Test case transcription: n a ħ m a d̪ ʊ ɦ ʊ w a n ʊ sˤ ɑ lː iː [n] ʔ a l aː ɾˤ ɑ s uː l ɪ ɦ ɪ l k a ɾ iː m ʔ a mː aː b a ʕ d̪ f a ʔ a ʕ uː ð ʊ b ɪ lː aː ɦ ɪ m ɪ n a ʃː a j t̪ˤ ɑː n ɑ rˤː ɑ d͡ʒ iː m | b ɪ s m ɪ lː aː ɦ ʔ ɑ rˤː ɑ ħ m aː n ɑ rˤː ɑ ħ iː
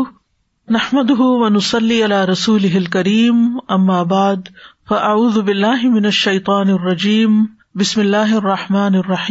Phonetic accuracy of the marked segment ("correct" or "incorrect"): incorrect